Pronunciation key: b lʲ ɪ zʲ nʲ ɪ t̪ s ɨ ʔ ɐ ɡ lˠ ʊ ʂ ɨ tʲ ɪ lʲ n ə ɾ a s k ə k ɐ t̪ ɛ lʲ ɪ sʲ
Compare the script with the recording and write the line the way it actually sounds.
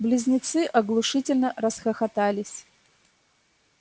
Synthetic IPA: b lʲ ɪ zʲ nʲ ɪ t̪ s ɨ ʔ ɐ ɡ lˠ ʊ ʂ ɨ tʲ ɪ lʲ n ə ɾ ə s x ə x ɐ t̪ a lʲ ɪ sʲ